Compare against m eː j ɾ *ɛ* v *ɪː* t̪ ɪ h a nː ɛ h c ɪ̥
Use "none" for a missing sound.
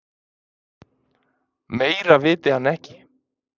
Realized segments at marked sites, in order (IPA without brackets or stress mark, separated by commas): a, ɪː